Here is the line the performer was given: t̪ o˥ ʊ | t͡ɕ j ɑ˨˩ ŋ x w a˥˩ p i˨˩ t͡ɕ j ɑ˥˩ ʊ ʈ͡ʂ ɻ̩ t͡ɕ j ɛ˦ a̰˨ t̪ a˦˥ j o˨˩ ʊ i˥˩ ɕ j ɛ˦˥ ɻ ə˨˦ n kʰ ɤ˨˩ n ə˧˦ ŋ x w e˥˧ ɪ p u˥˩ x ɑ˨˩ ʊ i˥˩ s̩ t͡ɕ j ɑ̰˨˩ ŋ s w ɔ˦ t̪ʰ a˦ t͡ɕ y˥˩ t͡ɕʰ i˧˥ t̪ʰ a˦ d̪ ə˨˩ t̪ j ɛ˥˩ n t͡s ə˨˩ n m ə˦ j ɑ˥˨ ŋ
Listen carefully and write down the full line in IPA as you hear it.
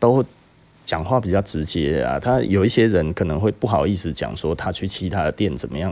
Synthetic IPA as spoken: t̪ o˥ ʊ | t͡ɕ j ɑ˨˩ ŋ x w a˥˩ p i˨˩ t͡ɕ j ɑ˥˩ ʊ ʈ͡ʂ ɻ̩ t͡ɕ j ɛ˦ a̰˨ t̪ʰ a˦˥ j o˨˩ ʊ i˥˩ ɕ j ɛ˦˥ ɻ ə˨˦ n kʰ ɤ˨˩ n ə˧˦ ŋ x w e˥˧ ɪ p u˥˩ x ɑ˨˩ ʊ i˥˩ s̩ t͡ɕ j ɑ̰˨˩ ŋ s w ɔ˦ t̪ʰ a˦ t͡ɕʰ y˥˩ t͡ɕʰ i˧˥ t̪ʰ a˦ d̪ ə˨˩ t̪ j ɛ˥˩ n t͡s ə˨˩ n m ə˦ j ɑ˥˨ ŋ